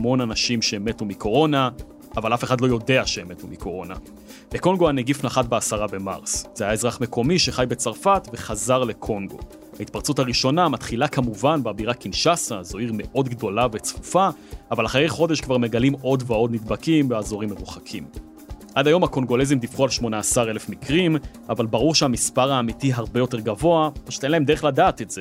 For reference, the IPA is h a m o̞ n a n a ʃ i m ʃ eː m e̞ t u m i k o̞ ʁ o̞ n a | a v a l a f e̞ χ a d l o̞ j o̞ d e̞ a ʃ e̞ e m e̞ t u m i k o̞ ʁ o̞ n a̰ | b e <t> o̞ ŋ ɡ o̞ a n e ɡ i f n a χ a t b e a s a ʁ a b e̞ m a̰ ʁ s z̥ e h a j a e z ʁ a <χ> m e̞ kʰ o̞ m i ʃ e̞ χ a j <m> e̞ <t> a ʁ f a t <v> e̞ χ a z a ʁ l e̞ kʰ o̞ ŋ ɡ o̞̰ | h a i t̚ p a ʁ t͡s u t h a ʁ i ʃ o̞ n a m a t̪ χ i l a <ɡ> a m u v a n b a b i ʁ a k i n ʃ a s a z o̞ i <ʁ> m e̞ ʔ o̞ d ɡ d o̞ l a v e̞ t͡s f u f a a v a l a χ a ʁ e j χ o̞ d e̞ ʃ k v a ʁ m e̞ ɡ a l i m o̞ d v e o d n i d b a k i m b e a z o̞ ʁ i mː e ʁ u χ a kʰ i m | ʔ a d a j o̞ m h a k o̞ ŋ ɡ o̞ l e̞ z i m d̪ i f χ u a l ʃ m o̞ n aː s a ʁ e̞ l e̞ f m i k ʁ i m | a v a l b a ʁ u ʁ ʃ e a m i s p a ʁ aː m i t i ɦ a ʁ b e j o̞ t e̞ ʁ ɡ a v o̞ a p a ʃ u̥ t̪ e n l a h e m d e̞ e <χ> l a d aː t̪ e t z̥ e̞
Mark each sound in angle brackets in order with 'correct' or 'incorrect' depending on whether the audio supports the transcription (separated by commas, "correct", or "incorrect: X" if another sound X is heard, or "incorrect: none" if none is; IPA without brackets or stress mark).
incorrect: k, correct, incorrect: b, incorrect: t͡s, correct, incorrect: k, correct, correct